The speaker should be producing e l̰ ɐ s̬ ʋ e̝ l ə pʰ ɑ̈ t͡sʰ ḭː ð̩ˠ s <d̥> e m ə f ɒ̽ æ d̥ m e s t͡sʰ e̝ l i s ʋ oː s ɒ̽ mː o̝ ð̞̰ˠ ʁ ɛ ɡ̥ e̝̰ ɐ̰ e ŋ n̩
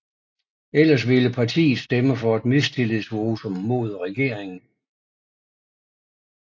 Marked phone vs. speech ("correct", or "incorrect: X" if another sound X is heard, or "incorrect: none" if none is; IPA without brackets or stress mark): correct